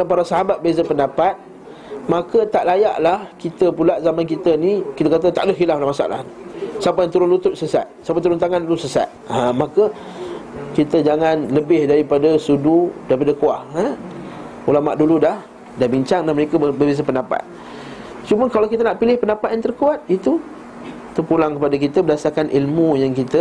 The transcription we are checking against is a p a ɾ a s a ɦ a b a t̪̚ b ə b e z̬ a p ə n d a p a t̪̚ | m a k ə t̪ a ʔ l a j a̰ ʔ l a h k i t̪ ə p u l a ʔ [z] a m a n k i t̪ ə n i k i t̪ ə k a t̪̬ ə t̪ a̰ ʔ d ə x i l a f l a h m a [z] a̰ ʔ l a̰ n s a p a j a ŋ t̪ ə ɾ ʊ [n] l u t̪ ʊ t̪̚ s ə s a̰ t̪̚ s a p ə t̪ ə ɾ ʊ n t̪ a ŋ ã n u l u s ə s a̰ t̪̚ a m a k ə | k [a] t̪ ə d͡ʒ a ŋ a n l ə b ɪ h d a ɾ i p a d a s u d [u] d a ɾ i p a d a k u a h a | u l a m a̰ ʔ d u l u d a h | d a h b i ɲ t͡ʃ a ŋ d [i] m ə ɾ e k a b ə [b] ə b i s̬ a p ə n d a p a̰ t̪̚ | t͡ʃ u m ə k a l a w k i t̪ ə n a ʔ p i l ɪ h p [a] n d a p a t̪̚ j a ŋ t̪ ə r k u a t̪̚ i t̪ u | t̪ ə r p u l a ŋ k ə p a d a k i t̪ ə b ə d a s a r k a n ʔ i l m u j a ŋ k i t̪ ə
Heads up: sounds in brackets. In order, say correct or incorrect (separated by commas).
correct, incorrect, correct, incorrect, correct, incorrect, correct, incorrect